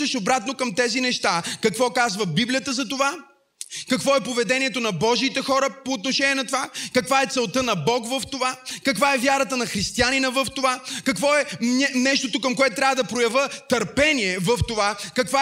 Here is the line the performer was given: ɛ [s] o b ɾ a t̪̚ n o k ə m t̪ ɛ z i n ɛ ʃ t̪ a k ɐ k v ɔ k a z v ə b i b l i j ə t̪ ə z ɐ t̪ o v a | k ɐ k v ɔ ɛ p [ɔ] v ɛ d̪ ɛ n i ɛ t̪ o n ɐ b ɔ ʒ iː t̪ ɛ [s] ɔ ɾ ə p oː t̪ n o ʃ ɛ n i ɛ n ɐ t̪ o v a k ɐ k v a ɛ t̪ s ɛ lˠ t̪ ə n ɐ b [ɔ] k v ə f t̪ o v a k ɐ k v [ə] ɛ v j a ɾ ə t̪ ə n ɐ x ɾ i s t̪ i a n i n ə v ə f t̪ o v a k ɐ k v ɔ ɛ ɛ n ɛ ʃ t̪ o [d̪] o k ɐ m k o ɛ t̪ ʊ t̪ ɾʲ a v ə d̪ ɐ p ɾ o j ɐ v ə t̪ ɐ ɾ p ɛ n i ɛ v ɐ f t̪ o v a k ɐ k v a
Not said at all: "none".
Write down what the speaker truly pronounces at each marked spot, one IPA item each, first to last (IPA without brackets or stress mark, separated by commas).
ʃ, o, x, ɔ, a, t̪